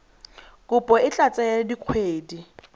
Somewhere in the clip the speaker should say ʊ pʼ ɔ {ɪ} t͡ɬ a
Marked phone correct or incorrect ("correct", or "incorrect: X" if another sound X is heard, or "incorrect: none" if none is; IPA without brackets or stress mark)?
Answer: correct